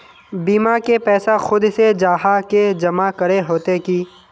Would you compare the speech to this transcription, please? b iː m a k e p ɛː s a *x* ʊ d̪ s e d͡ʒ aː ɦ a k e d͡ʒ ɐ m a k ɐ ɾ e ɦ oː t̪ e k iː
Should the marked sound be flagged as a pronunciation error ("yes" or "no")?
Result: no